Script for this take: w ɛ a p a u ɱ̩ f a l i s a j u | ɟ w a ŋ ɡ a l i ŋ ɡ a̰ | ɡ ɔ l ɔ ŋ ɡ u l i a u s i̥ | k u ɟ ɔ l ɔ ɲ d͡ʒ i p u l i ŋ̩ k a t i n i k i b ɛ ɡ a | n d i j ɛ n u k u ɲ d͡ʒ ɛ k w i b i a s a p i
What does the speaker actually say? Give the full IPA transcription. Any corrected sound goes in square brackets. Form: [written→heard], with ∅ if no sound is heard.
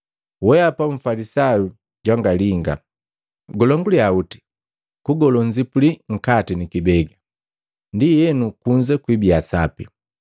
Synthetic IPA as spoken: w ɛ a p a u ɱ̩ f a l i s a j u | ɟ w a ŋ ɡ a l i ŋ ɡ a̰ | ɡ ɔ l ɔ ŋ ɡ u l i a u [s→t] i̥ | k u [ɟ→ɡ] ɔ l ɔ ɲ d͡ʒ i p u l i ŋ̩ k a t i n i k i b ɛ ɡ a | n d i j ɛ n u k u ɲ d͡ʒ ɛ k w i b i a s a p i